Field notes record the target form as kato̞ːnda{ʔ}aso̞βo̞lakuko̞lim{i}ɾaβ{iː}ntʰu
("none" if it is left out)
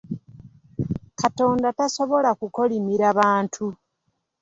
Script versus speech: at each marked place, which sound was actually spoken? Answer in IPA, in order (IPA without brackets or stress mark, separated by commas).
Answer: t, i, aː